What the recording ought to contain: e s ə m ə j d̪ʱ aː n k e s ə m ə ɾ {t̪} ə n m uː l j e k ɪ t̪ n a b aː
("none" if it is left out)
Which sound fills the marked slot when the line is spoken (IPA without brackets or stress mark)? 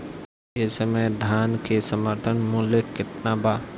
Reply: t̪ʰ